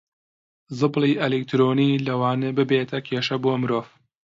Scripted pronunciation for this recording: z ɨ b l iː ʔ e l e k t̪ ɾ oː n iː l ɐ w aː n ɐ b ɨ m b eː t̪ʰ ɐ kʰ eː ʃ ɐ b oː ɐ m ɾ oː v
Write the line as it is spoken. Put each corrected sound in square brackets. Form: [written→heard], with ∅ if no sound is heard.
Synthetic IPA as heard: z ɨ b l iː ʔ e l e k t̪ ɾ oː n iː l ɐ w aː n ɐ b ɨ [m→∅] b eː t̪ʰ ɐ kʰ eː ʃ ɐ b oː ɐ m ɾ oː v